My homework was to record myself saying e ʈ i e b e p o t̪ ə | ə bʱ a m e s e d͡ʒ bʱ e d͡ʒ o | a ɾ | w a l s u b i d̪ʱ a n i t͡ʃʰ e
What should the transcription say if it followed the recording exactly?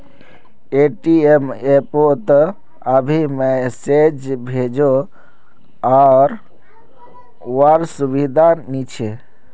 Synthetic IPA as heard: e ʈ i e m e p o t̪ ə | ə bʱ i m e s e d͡ʒ bʱ e d͡ʒ o | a ɾ | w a ɾ s u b i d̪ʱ a n i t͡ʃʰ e